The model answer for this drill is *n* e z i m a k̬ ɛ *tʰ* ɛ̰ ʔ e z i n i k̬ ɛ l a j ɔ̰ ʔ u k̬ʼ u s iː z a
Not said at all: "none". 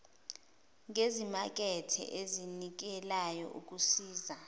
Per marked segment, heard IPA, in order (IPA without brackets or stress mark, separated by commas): ŋ, tʰ